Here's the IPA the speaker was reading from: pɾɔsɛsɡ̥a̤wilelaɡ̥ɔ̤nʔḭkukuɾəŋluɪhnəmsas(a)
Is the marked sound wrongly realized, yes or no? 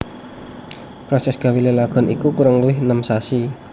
yes